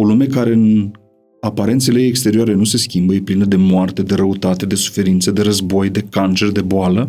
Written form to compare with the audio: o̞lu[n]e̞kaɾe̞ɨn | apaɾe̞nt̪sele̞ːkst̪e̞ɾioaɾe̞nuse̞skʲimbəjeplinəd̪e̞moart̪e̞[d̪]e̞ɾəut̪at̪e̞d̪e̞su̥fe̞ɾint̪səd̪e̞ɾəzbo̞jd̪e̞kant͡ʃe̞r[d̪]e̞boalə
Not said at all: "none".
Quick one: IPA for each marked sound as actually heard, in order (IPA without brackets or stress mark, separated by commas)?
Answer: m, d̪, d̪